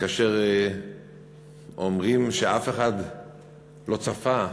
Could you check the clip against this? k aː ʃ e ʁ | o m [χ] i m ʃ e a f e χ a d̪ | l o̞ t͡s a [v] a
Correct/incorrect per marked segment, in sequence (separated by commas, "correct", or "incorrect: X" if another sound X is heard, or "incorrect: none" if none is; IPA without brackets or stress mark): incorrect: ʁ, incorrect: f